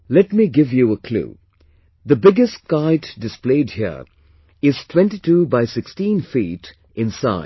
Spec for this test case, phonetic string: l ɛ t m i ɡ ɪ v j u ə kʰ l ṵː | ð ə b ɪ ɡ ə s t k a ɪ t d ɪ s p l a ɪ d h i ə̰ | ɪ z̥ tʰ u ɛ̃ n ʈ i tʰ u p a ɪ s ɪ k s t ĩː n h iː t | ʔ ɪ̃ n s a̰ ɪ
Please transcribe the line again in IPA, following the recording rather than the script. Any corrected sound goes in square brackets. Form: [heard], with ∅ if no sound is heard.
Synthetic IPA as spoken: l ɛ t m i ɡ ɪ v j u ə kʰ l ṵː | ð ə b ɪ ɡ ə s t k a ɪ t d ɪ s p l [e] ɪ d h i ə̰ | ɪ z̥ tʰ [w] ɛ̃ n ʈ i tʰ u [b] a ɪ s ɪ k s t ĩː n [f] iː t | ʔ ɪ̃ n s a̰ ɪ